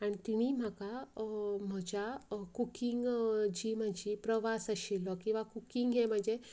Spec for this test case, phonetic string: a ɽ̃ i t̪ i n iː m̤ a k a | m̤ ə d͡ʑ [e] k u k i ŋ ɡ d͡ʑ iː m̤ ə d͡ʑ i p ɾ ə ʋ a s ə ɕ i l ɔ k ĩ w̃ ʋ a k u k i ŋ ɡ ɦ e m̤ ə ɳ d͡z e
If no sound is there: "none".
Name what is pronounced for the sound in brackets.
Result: a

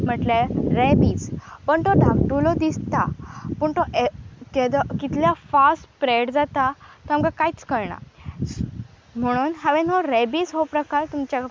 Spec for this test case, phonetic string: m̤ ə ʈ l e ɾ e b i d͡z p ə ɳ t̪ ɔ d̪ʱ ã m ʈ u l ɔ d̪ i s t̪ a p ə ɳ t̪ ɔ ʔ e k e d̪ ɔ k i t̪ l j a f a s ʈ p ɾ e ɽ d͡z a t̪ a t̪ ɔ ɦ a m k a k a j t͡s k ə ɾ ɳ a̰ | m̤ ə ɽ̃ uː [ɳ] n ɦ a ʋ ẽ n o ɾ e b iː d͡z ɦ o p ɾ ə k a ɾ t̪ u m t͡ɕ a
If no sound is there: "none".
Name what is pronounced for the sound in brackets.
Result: none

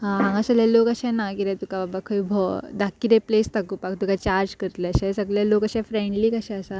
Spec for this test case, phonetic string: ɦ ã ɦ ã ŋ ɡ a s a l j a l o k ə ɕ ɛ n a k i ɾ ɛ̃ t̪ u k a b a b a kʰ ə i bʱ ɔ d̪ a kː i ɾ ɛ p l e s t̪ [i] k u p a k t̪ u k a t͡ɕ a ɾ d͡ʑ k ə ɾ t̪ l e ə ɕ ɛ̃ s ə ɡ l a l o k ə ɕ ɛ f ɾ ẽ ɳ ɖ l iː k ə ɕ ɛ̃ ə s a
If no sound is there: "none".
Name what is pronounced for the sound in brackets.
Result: a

